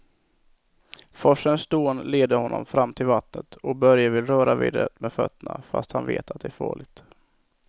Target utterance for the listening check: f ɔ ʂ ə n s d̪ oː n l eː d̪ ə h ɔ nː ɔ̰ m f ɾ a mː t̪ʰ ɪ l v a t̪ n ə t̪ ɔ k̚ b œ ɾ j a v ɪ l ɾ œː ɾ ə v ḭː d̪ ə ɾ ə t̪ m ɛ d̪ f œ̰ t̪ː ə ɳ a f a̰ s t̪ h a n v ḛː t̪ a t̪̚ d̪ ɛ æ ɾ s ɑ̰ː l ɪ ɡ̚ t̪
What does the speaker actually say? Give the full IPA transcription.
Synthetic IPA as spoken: f ɔ ʂ ə n s d̪ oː n l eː d̪ ə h ɔ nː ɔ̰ m f ɾ a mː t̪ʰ ɪ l v a t̪ n ə t̪ ɔ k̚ b œ ɾ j a v ɪ l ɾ œː ɾ a v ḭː d̪ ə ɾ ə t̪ m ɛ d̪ f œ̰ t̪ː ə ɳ a f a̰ s t̪ h a n v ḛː t̪ a t̪̚ d̪ ɛ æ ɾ f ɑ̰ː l ɪ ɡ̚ t̪